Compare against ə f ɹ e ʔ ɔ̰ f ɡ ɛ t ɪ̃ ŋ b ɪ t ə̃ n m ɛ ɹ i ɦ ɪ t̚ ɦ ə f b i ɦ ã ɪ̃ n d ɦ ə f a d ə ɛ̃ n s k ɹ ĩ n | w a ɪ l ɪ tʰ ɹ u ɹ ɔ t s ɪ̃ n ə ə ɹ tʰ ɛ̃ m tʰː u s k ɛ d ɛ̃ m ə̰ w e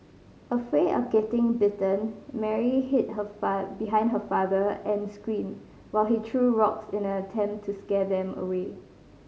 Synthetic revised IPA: ə f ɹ e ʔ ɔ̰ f ɡ ɛ t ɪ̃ ŋ b ɪ t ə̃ n m ɛ ɹ i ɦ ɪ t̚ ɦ ə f b i ɦ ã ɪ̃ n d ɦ ə f a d ə ɛ̃ n s k ɹ ĩ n | w a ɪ l i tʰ ɹ u ɹ ɔ k s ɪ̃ n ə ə tʰ ɛ̃ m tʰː u s k ɛ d ɛ̃ m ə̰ w e